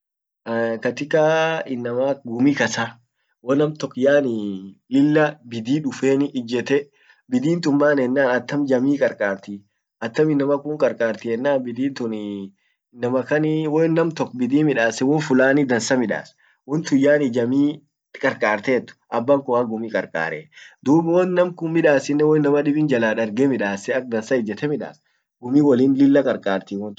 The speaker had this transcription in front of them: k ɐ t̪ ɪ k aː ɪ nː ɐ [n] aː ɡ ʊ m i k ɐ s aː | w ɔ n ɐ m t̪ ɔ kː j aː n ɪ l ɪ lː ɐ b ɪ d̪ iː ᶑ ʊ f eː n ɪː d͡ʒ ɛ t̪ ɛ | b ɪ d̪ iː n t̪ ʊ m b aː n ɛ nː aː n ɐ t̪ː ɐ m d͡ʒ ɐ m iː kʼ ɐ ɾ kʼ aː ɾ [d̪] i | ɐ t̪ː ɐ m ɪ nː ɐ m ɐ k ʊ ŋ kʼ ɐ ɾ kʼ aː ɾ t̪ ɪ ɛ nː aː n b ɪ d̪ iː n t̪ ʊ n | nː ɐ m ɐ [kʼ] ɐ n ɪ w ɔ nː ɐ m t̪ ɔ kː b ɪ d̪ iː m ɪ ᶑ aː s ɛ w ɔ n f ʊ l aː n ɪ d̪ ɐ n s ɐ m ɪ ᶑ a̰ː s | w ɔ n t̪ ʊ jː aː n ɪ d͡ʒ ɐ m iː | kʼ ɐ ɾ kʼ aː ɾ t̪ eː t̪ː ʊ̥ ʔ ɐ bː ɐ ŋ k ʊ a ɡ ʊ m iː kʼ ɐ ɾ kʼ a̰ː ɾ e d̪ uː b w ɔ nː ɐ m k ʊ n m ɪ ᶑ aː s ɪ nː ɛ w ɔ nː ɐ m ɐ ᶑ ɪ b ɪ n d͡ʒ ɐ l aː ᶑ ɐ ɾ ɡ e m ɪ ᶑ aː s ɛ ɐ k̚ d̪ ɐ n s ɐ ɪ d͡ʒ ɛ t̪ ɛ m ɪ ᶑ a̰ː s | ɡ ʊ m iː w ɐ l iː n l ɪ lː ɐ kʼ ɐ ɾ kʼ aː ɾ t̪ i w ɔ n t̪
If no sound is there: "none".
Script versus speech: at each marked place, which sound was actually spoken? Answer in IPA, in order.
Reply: m, t̪, k

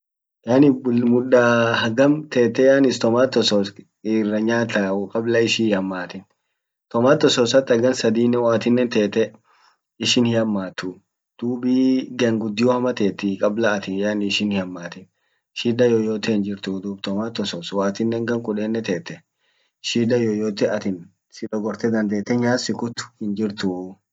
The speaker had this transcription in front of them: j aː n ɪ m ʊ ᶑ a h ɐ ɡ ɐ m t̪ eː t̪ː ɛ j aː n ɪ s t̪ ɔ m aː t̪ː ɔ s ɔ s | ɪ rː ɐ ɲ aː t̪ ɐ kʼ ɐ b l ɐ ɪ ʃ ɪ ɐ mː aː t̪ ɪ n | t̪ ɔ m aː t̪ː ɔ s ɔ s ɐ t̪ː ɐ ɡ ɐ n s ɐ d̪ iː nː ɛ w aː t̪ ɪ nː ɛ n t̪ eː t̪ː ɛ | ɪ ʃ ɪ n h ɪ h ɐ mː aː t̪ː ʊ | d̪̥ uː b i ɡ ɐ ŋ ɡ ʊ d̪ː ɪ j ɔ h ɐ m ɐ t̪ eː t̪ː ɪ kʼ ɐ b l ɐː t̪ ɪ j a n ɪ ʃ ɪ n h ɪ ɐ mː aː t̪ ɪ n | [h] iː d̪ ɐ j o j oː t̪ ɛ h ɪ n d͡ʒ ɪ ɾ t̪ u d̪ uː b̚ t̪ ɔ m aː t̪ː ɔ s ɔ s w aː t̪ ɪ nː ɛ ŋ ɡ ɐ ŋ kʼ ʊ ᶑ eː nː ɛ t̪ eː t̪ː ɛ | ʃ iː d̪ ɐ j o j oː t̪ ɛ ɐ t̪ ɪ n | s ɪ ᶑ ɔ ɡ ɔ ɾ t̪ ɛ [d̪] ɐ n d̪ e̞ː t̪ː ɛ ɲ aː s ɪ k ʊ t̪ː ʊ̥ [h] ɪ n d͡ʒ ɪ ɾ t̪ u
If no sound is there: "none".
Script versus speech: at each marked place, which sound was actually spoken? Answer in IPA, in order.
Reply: ʃ, d̪, h

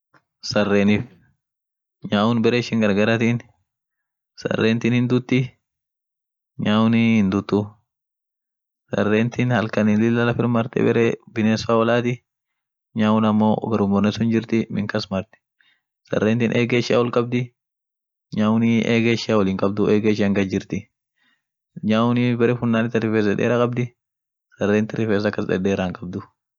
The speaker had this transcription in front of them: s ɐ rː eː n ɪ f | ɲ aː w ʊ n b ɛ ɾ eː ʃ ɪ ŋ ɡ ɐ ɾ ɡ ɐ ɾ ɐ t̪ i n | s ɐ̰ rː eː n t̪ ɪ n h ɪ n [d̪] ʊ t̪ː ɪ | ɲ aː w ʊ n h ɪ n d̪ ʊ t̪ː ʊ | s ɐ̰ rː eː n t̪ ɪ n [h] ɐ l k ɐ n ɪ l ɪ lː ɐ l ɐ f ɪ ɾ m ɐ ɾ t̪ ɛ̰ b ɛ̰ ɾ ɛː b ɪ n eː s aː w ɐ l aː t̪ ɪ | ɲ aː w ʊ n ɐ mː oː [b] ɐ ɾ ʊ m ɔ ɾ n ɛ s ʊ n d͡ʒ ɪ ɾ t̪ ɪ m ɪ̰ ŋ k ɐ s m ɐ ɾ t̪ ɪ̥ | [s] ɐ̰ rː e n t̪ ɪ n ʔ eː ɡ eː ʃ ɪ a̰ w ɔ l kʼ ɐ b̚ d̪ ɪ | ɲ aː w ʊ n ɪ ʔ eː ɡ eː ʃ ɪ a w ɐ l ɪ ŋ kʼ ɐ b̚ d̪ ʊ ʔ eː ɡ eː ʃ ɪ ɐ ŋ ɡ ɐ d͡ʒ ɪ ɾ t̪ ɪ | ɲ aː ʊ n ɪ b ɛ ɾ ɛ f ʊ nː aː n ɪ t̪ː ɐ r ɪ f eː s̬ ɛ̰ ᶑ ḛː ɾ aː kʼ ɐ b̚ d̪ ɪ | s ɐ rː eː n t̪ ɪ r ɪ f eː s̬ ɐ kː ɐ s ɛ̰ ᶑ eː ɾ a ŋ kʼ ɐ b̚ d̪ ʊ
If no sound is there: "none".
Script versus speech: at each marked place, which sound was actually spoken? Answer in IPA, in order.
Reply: d̪, h, ɡ, s

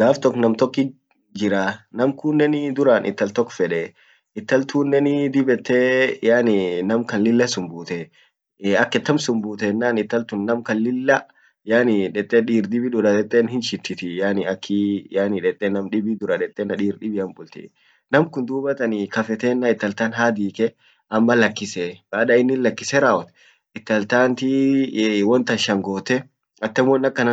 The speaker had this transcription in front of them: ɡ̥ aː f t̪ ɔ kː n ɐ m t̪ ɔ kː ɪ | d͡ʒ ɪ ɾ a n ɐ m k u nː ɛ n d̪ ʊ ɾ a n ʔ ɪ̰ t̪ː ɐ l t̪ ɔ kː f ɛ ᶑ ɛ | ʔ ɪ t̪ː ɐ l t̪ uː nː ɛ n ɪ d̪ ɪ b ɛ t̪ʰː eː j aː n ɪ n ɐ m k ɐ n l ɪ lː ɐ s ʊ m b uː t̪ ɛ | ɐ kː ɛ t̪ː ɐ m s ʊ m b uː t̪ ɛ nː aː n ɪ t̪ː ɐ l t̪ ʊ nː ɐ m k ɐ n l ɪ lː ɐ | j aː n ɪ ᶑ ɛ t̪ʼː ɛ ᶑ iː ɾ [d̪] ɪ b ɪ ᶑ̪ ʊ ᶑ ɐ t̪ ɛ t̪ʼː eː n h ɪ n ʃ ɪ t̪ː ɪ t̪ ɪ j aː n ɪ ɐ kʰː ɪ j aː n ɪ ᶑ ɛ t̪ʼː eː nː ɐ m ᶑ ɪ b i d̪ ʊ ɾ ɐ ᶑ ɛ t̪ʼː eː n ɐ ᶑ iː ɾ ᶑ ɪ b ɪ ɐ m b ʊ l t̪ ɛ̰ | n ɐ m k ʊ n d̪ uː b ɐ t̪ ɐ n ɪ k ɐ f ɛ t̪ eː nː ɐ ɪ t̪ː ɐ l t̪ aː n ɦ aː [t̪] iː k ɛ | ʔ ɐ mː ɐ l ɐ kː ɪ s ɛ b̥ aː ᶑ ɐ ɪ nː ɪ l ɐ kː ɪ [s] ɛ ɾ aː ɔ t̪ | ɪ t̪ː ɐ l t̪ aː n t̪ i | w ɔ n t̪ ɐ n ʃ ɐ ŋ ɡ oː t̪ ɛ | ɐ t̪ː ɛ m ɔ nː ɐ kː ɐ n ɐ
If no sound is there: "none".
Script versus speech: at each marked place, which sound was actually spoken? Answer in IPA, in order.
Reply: d̪, d̪, s

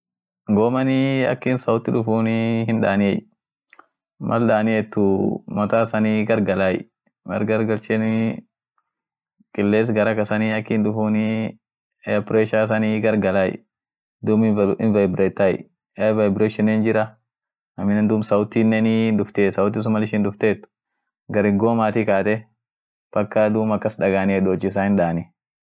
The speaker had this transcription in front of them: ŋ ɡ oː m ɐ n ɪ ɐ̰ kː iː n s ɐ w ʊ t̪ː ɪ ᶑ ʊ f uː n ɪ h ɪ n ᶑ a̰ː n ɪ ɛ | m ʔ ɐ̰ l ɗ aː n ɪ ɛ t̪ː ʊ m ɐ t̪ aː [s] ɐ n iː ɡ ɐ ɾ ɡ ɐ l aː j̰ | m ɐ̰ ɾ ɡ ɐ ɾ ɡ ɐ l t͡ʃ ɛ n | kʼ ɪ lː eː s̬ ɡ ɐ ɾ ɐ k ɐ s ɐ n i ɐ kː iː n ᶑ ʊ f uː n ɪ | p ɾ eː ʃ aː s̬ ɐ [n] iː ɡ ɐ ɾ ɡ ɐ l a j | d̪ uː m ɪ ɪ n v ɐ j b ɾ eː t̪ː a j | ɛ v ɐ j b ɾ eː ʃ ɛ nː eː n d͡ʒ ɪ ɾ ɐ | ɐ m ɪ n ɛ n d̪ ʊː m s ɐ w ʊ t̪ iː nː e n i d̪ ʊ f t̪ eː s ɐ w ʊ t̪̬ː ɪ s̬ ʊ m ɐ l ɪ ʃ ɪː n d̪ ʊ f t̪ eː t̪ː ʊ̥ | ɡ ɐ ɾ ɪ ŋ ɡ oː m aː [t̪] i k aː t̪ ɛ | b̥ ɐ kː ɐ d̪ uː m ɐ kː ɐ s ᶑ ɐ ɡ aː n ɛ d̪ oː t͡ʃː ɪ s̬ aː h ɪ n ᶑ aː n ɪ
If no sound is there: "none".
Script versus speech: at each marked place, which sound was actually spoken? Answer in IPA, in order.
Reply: s, n, t̪

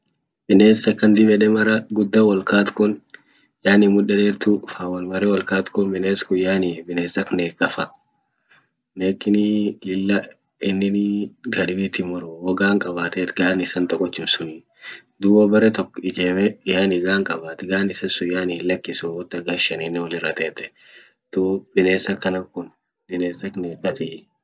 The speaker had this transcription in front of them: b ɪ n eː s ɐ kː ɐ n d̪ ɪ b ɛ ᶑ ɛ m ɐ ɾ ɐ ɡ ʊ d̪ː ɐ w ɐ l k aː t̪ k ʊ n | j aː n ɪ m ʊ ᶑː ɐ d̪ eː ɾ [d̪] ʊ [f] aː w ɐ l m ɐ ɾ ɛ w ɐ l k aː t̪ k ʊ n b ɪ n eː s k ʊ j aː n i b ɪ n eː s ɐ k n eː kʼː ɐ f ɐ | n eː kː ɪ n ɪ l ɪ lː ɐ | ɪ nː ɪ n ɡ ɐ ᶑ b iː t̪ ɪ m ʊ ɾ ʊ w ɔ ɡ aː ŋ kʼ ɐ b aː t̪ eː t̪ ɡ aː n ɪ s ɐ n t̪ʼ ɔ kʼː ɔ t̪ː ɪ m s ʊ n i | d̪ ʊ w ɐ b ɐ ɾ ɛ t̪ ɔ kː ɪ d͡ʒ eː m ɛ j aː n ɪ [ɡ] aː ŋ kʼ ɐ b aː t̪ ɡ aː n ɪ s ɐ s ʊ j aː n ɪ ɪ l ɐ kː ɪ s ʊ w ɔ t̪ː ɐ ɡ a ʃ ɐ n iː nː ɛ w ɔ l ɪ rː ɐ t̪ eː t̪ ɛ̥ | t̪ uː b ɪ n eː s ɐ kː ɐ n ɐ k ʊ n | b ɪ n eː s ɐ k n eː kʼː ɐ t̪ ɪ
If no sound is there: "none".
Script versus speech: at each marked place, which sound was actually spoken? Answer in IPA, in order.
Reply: t̪, f, ɡ

